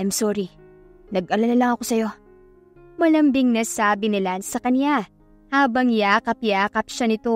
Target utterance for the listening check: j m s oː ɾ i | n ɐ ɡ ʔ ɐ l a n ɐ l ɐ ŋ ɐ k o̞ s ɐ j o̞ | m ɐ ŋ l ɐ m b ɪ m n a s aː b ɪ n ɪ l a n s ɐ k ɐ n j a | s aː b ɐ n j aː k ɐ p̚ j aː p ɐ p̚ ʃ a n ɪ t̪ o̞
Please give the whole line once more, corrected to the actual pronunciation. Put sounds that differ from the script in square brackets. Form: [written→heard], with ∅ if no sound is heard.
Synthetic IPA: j m s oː ɾ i | n ɐ ɡ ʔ ɐ l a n ɐ l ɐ ŋ ɐ k o̞ s ɐ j o̞ | m ɐ [ŋ→∅] l ɐ m b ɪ [m→ŋ] n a s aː b ɪ n ɪ l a n s ɐ k ɐ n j a | [s→h] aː b ɐ [n→ŋ] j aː k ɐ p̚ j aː [p→k] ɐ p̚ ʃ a n ɪ t̪ o̞